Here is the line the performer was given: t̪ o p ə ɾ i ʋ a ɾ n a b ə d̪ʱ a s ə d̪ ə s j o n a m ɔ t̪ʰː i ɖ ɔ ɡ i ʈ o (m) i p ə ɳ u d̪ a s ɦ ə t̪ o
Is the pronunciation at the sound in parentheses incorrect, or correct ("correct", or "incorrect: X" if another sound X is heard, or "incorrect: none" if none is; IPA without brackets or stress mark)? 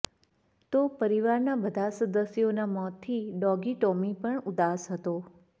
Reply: correct